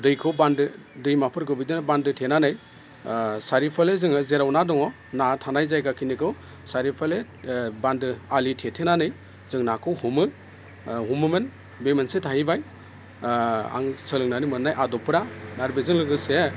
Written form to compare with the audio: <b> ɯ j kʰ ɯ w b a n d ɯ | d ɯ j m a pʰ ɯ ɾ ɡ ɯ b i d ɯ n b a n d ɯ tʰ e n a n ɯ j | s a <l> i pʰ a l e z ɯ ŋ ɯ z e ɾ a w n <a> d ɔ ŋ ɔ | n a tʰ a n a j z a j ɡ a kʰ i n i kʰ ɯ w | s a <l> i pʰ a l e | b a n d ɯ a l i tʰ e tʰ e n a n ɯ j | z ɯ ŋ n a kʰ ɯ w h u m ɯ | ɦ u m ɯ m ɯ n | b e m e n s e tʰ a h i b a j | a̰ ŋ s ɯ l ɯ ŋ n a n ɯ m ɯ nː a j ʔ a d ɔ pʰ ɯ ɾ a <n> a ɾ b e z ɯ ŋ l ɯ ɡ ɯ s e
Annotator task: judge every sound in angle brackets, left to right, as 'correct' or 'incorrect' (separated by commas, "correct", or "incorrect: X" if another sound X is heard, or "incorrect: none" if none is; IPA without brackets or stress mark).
incorrect: d, incorrect: ɾ, correct, incorrect: ɾ, correct